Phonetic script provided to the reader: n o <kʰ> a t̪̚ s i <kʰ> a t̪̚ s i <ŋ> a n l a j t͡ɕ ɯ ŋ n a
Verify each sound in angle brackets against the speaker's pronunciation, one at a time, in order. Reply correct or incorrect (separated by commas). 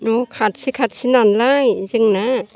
correct, correct, incorrect